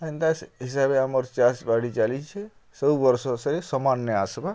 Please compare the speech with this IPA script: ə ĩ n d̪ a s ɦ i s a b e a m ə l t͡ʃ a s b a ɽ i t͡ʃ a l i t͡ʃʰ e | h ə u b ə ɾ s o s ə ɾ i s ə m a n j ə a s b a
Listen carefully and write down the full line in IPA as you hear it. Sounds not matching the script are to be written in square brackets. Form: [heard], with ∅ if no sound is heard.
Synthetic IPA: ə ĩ n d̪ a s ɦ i s a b e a m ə [ɾ] t͡ʃ a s b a ɽ i t͡ʃ a l i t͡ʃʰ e | [s] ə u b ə ɾ s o s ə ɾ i s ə m a n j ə a s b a